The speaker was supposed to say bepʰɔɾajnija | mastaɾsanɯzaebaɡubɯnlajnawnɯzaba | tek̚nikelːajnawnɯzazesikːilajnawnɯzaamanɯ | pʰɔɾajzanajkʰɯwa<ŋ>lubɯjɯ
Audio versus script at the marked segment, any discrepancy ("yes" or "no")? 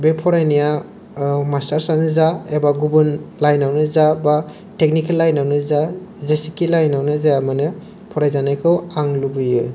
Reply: no